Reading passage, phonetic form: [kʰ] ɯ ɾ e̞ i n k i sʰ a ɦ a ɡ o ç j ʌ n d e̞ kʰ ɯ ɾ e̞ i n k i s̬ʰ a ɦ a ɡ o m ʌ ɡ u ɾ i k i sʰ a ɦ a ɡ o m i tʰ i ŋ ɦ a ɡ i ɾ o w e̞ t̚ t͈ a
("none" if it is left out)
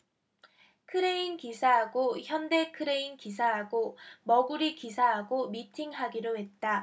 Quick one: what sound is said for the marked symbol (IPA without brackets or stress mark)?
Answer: kʰ